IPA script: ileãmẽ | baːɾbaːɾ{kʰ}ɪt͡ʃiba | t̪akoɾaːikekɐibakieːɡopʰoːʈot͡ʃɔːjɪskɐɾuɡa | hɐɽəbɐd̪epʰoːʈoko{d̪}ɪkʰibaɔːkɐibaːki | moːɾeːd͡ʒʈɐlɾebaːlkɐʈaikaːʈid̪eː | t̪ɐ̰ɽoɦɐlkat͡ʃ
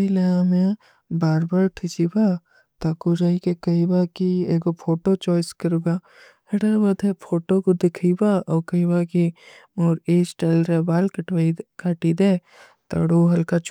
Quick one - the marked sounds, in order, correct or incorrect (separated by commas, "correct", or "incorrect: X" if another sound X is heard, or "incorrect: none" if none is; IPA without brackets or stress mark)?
incorrect: ʈʰ, correct